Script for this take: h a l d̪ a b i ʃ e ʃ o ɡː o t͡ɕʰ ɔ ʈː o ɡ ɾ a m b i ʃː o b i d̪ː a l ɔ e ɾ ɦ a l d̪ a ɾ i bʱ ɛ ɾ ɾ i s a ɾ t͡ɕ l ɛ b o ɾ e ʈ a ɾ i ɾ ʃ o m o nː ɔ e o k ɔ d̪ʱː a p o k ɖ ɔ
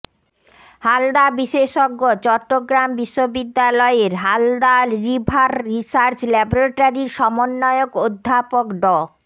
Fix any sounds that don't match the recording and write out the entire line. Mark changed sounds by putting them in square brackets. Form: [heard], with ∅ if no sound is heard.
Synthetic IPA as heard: h a l d̪ a b i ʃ e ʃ o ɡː o [t͡ɕ] ɔ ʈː o ɡ ɾ a m b i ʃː o b i d̪ː a l ɔ e ɾ ɦ a l d̪ a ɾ i bʱ [a] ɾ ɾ i s a ɾ t͡ɕ l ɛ b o ɾ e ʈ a ɾ i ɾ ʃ [ɔ] m o nː ɔ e o k [o] d̪ʱː a p o k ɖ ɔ